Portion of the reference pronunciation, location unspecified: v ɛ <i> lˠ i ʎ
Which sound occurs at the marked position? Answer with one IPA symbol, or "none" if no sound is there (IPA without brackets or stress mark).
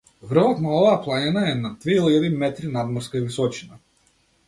i